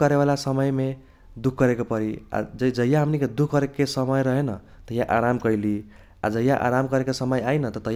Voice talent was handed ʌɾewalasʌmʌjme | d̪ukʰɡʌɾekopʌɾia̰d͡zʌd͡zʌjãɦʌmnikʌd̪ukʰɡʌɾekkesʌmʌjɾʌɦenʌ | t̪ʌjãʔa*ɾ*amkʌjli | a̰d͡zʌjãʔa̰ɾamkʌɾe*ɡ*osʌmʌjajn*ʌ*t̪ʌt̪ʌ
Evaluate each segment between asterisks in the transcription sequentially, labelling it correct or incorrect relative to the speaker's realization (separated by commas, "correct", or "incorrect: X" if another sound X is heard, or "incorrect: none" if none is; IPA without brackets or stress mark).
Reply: correct, incorrect: k, correct